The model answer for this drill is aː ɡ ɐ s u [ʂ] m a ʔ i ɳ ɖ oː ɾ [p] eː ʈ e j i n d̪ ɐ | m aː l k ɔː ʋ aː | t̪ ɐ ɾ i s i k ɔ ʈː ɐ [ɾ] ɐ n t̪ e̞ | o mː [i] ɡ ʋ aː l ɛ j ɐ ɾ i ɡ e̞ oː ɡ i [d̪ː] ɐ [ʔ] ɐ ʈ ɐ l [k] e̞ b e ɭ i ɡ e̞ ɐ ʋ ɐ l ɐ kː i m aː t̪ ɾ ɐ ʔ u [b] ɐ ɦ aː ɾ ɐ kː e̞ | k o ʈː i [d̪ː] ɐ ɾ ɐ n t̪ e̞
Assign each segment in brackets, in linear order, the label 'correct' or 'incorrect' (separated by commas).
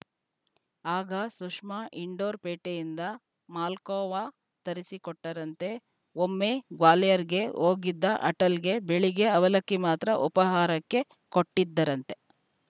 correct, correct, correct, incorrect, correct, correct, incorrect, incorrect, correct